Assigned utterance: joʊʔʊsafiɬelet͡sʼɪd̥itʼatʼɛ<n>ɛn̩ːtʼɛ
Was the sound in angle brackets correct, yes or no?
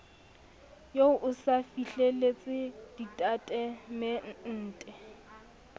no